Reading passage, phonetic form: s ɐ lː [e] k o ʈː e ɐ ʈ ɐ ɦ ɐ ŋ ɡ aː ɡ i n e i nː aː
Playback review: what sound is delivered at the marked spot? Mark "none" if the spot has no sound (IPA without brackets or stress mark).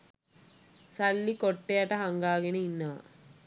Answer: i